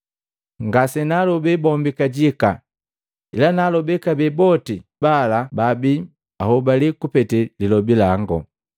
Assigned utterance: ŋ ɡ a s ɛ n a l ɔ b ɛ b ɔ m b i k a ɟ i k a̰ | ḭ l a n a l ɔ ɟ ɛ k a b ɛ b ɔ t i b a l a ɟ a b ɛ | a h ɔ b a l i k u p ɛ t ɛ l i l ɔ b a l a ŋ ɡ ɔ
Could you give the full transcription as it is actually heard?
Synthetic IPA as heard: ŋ ɡ a s ɛ n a l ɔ b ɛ b ɔ m b i k a ɟ i k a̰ | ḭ l a n a l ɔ b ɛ k a b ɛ b ɔ t i b a l a b a b i | a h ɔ b a l i k u p ɛ t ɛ l i l ɔ b i l a ŋ ɡ ɔ